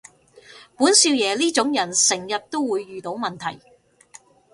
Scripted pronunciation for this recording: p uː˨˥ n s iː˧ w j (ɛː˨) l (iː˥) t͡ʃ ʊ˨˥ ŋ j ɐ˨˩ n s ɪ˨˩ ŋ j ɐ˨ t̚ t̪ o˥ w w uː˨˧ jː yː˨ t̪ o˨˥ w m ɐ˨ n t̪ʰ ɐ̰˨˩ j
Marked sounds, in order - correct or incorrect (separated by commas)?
correct, correct